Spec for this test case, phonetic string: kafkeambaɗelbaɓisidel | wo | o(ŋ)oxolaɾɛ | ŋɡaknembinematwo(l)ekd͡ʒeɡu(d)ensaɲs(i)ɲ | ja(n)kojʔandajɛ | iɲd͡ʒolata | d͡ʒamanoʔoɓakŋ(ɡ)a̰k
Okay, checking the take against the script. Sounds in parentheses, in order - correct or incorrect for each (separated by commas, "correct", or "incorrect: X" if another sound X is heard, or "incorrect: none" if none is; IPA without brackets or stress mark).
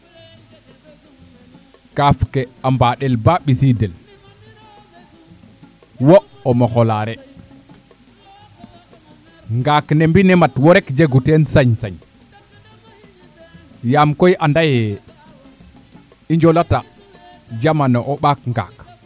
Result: incorrect: m, incorrect: ɾ, incorrect: t, incorrect: a, incorrect: m, correct